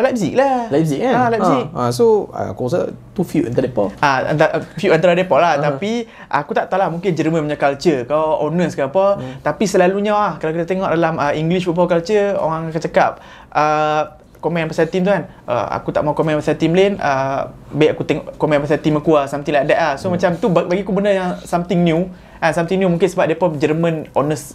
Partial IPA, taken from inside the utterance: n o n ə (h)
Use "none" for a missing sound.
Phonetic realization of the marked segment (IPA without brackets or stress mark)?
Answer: s